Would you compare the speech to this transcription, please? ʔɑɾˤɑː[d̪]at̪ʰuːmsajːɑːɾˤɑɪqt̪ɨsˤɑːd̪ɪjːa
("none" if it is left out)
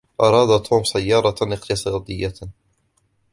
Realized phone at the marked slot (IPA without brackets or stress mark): d̪